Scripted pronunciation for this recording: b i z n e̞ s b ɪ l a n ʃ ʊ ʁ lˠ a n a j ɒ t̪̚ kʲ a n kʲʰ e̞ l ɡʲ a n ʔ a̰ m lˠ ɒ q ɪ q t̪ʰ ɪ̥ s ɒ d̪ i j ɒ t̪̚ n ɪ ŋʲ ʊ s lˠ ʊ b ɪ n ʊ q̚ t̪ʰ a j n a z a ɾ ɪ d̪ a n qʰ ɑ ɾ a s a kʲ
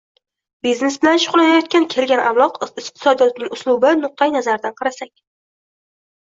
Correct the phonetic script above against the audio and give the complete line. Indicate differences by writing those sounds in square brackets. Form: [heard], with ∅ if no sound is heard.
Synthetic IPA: b i z n e̞ s b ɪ l a n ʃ ʊ ʁ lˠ a n a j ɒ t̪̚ kʲ a n kʲʰ e̞ l ɡʲ a n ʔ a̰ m lˠ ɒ q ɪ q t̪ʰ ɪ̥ s ɒ d̪ i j ɒ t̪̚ n ɪ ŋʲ ʊ s lˠ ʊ b ɪ n ʊ q̚ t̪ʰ a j n a z a ɾ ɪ d̪ a n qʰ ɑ ɾ a s a kʲ